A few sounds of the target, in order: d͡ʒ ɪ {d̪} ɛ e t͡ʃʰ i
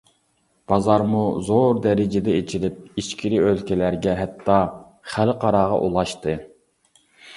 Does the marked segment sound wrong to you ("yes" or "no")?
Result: no